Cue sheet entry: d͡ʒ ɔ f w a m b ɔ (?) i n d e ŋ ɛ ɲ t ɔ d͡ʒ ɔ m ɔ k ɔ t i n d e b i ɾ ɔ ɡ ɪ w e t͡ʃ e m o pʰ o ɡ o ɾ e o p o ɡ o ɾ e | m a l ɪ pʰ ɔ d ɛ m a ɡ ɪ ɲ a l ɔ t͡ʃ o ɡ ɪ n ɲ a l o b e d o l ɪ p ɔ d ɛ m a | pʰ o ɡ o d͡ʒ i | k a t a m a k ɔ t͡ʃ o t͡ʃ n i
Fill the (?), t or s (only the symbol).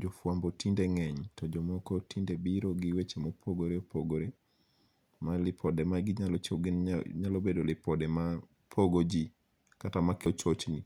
t